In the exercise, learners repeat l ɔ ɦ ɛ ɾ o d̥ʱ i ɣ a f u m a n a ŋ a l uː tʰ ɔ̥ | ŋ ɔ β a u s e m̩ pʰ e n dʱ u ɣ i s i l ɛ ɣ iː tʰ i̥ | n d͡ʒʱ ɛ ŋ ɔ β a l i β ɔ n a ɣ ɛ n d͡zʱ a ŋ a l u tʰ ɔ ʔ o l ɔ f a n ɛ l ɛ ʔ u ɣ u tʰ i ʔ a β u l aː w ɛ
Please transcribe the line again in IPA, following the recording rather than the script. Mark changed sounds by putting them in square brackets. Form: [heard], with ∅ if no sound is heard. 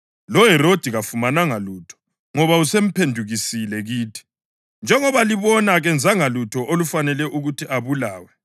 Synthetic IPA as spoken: l ɔ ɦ ɛ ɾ o d̥ʱ i ɣ a f u m a n a ŋ a l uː tʰ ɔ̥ | ŋ ɔ β a u s e m̩ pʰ e n dʱ u ɣ i s i l ɛ ɣ iː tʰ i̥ | n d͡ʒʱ ɛ ŋ ɔ β a l i β ɔ n a ɣ ɛ n d͡zʱ a ŋ a l u tʰ ɔ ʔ o l [u] f a n ɛ l ɛ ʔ u ɣ u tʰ i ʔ a β u l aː w ɛ